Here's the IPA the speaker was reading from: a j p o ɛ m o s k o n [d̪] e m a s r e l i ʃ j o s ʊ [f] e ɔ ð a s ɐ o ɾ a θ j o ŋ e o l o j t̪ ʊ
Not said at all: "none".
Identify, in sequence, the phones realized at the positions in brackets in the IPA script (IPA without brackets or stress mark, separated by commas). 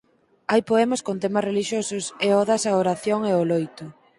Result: t̪, s